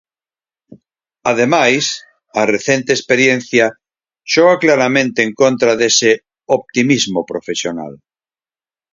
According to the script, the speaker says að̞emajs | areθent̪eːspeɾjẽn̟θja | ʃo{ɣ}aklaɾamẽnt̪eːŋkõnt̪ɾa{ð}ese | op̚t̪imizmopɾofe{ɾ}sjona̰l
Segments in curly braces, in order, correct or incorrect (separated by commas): correct, correct, incorrect